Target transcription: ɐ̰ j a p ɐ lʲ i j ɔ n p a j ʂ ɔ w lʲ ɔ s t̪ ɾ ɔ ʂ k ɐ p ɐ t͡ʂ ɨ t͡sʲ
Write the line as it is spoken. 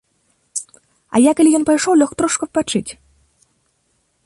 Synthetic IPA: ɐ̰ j a k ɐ lʲ i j ɔ n p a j ʂ ɔ w lʲ ɔ x t̪ ɾ ɔ ʂ k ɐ p a t͡ʂ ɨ t͡sʲ

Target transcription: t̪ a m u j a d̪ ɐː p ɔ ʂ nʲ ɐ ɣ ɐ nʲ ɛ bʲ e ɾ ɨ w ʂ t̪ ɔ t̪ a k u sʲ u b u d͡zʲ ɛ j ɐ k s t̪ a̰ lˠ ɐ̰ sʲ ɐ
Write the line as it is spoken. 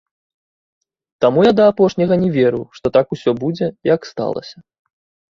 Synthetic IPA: t̪ a m u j a d̪ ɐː p ɔ ʂ nʲ ɐ ɣ ɐ nʲ ɛ vʲ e ɾ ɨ w ʂ t̪ ɔ t̪ a k u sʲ ɔ b u d͡zʲ ɛ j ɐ k s t̪ a̰ lˠ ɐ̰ sʲ ɐ

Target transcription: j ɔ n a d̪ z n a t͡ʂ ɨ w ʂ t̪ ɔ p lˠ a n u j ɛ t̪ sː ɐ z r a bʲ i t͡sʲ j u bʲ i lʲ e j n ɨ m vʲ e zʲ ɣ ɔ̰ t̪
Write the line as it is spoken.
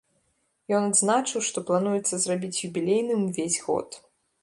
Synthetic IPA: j ɔ n a d̪ z n a t͡ʂ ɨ w ʂ t̪ ɔ p lˠ a n u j ɛ t̪ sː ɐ z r a bʲ i t͡sʲ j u bʲ i lʲ e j n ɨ m vʲ e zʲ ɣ ɔ̰ t̪

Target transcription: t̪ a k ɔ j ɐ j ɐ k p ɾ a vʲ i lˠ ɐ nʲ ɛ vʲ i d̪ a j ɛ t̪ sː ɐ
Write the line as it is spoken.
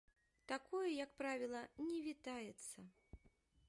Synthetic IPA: t̪ a k ɔ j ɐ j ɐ k p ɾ a vʲ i lˠ ɐ nʲ ɛ vʲ i t̪ a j ɛ t̪ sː ɐ

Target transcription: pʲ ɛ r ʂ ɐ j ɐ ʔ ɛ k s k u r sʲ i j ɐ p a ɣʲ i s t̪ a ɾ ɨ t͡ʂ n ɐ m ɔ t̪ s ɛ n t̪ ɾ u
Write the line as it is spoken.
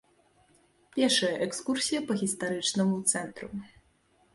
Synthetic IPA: pʲ ɛ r ʂ ɐ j ɐ ʔ ɛ k s k u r sʲ i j ɐ p ɐ ɣʲ i s t̪ a ɾ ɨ t͡ʂ n ɐ m u t̪ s ɛ n t̪ ɾ u

